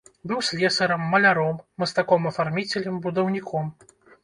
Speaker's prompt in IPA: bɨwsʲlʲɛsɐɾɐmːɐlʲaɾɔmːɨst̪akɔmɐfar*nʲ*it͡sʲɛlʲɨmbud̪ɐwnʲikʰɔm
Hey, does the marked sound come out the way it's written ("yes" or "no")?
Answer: no